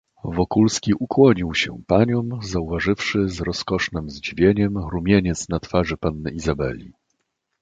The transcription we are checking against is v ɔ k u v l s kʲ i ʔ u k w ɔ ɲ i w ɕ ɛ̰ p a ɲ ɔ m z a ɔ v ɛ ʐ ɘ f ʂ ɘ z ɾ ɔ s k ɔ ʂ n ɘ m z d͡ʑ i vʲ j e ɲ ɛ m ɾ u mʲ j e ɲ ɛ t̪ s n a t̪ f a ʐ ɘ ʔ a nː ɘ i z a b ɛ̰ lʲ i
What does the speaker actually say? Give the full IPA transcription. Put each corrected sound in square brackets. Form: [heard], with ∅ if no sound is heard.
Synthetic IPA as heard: v ɔ k u [∅] l s kʲ i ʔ u k w ɔ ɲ i w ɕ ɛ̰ p a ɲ ɔ m z a [u] v [a] ʐ ɘ f ʂ ɘ z ɾ ɔ s k ɔ ʂ n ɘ m z d͡ʑ i vʲ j e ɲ ɛ m ɾ u mʲ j e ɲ ɛ t̪ s n a t̪ f a ʐ ɘ [p] a nː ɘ i z a b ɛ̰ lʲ i